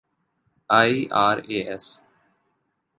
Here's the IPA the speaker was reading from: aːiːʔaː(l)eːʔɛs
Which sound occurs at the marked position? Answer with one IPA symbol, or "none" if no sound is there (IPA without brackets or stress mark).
ɾ